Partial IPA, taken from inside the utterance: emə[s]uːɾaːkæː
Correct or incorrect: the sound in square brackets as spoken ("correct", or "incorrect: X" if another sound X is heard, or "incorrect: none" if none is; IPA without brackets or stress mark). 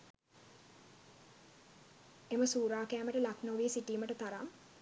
correct